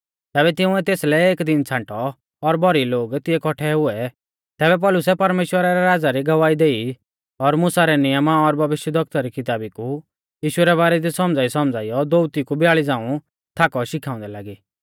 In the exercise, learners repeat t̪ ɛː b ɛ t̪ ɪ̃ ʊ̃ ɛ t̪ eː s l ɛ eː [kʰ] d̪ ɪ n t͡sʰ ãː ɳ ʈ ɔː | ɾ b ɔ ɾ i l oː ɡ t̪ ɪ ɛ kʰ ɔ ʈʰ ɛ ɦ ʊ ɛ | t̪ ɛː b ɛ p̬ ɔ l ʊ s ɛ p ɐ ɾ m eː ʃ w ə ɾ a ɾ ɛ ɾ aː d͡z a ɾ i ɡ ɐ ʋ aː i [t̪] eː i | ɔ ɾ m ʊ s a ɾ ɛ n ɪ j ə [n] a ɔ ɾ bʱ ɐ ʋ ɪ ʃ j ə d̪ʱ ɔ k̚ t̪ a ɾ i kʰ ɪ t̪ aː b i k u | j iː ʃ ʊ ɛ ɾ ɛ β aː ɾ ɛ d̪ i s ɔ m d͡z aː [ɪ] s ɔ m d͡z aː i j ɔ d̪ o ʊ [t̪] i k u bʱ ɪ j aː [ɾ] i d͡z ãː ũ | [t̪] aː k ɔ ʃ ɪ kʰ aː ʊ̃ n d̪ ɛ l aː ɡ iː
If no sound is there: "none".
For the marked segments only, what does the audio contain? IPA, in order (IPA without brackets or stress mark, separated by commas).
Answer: k, d̪, m, i, t̪, ɭ, t̪ʰ